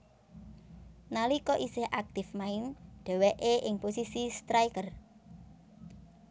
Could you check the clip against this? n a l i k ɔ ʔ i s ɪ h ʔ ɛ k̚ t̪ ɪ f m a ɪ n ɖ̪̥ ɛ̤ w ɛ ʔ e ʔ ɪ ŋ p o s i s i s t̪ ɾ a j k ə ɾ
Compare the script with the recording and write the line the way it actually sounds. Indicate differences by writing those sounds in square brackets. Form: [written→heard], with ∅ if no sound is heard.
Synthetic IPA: n a l i k ɔ ʔ i s ɪ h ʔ [ɛ→a] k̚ t̪ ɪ f m a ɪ n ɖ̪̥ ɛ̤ w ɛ ʔ e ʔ ɪ ŋ p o s i s i s t̪ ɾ a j k ə [ɾ→r]